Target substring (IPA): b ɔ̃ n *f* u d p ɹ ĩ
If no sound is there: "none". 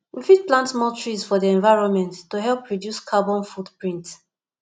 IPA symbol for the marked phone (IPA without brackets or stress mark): f